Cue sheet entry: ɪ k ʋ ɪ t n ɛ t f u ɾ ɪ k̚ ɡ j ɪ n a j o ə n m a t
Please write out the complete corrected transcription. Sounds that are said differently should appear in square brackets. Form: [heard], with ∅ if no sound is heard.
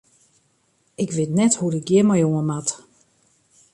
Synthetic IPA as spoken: ɪ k ʋ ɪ t n ɛ t [h] u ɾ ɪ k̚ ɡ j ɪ [m] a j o ə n m a t